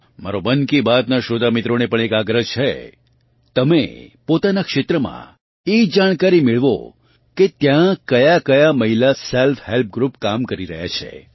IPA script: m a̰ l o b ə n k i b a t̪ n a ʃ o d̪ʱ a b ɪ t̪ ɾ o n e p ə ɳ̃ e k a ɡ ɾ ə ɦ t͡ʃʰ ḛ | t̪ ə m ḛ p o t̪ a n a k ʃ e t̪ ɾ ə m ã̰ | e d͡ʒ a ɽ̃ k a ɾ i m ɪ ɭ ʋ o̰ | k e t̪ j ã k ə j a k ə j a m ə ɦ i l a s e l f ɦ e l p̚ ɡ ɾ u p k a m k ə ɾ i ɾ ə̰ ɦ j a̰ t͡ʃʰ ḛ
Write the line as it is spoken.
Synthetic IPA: m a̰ ɾ o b ə n k i b a t̪ n a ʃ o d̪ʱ a m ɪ t̪ ɾ o n e p ə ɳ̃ e k a ɡ ɾ ə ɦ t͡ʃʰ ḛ | t̪ ə m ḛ p o t̪ a n a k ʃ e t̪ ɾ ə m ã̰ | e d͡ʒ a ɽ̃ k a ɾ i m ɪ ɭ ʋ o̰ | k e t̪ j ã k ə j a k ə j a m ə ɦ i l a s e l f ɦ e l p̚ ɡ ɾ u p k a m k ə ɾ i ɾ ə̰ ɦ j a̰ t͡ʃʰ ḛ